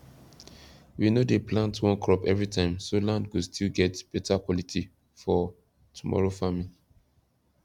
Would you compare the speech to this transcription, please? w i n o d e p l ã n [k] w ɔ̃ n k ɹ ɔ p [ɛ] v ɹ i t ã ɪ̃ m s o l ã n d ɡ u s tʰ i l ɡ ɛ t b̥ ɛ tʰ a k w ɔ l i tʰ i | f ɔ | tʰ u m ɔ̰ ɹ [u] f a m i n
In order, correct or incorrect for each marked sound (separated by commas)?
incorrect, correct, incorrect